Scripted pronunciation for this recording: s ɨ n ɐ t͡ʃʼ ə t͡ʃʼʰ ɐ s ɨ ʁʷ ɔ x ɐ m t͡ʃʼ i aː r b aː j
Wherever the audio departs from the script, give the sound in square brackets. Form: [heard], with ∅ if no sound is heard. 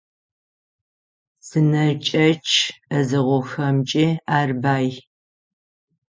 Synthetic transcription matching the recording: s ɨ n ɐ t͡ʃʼ [ɐ] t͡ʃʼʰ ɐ [z] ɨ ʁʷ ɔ x ɐ m t͡ʃʼ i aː r b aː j